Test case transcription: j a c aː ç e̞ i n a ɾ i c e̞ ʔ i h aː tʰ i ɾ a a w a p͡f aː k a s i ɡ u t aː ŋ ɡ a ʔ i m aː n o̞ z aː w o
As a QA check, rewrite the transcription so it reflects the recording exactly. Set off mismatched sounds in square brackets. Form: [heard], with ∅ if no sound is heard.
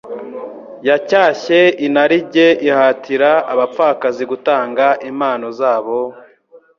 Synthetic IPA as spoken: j a c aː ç e̞ i n a ɾ i [ɟ] e̞ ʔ i h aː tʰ i ɾ a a [β] a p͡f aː k a [z] i ɡ u t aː ŋ ɡ a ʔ i m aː n o̞ z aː [β] o